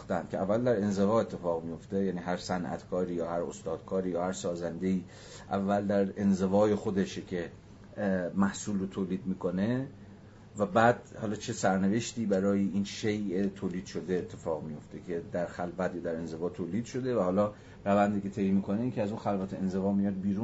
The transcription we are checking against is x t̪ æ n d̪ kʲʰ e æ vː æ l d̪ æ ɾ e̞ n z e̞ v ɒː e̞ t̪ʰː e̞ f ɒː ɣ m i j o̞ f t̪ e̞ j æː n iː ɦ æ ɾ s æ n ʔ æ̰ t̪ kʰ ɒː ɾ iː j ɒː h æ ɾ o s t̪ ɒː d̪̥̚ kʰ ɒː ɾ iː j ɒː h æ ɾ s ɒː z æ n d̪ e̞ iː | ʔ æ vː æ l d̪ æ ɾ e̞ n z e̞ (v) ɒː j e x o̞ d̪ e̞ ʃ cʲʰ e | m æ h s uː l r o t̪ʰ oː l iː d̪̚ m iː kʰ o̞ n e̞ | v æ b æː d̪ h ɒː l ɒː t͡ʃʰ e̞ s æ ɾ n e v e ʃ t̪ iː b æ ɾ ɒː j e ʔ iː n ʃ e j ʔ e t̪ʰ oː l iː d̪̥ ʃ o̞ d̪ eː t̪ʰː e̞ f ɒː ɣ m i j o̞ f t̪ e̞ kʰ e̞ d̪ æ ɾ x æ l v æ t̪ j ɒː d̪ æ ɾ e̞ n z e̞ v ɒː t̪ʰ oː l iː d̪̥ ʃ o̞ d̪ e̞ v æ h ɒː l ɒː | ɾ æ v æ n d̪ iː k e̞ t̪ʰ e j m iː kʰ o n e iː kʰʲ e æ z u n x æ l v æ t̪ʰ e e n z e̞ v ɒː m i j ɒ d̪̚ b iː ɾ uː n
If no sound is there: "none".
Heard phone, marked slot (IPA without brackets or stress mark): v